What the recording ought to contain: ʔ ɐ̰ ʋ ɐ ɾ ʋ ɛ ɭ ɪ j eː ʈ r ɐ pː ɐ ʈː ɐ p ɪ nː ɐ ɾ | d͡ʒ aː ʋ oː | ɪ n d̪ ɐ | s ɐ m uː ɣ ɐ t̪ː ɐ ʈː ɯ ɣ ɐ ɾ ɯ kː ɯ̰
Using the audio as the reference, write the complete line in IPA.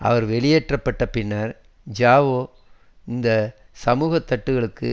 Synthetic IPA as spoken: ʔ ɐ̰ ʋ ɐ ɾ ʋ ɛ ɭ ɪ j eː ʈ r ɐ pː ɐ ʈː ɐ p ɪ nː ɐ ɾ | d͡ʒ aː ʋ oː | ɪ n d̪ ɐ | s ɐ m uː ɣ ɐ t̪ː ɐ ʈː ɯ ɣ ɐ ɭ ɯ kː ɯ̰